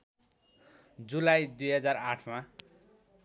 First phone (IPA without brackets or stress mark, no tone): d͡z